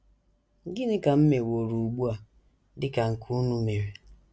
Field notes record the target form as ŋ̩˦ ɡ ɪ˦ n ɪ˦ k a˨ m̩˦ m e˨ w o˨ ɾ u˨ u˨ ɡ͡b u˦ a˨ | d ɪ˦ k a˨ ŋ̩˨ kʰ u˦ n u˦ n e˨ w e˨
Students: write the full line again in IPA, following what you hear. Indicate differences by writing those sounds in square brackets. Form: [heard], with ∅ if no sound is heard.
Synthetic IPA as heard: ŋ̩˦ ɡ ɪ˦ n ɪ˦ k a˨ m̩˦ m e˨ w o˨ ɾ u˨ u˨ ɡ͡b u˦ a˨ | d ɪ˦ k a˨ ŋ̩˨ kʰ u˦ n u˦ [m] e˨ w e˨